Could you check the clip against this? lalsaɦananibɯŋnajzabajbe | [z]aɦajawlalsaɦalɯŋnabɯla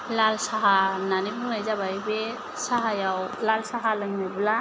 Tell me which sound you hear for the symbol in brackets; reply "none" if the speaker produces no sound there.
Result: s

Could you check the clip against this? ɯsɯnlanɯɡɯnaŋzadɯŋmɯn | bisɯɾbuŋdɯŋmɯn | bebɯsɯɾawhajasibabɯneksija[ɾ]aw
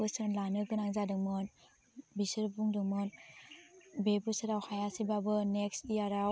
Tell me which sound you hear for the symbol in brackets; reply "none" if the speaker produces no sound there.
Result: ɾ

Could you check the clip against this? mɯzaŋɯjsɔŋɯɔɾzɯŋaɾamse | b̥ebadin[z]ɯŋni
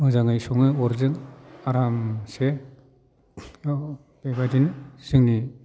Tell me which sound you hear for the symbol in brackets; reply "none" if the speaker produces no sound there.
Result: s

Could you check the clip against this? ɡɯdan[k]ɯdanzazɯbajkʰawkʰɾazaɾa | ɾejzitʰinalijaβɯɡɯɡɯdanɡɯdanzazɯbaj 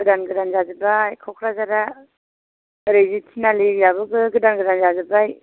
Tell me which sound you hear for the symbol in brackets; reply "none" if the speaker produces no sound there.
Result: ɡ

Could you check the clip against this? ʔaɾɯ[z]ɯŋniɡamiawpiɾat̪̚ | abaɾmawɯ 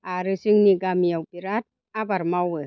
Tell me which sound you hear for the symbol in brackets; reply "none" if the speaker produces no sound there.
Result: s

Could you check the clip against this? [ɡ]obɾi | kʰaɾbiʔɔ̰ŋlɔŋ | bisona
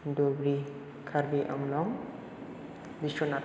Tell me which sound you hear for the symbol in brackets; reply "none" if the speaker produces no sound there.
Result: d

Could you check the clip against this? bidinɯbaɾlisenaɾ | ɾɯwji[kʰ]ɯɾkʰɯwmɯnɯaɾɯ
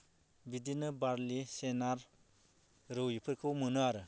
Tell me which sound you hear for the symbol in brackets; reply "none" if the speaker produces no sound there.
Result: pʰ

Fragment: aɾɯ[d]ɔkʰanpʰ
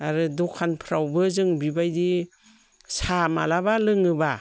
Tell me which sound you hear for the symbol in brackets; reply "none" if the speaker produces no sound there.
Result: d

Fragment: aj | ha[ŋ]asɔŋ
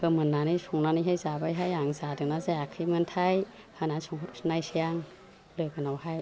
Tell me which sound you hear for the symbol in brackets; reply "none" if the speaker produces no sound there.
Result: n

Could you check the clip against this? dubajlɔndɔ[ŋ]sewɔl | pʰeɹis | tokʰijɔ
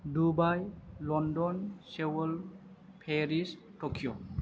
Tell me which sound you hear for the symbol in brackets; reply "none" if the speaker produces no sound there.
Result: n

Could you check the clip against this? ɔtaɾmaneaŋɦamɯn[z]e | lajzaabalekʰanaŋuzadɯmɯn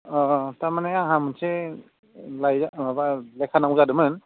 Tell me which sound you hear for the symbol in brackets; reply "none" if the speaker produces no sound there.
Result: s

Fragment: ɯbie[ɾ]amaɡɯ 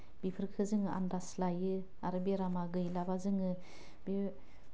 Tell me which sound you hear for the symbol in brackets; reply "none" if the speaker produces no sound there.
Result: ɾ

